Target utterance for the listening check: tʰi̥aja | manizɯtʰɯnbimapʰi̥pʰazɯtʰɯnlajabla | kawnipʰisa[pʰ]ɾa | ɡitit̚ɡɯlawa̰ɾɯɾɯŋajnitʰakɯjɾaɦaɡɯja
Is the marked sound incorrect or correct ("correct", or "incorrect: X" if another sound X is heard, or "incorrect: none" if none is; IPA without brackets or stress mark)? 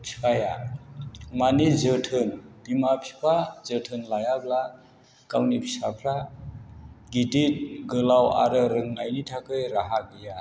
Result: correct